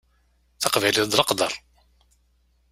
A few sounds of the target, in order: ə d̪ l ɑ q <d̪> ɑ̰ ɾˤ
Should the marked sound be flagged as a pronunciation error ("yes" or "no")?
no